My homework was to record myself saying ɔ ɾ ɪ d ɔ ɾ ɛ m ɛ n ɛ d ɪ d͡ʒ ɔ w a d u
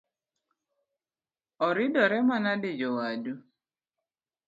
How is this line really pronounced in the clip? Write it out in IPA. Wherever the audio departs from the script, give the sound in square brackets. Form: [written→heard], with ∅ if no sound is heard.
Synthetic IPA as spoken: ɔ ɾ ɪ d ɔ ɾ ɛ m [ɛ→a] n [ɛ→a] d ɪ d͡ʒ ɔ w a d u